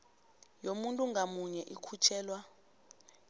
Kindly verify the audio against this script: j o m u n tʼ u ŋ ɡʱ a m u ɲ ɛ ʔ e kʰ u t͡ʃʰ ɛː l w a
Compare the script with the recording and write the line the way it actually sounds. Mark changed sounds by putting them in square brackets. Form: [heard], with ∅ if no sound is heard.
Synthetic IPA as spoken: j o m u n tʼ u ŋ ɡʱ a m u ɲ ɛ ʔ [i] kʰ u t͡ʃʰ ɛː l w a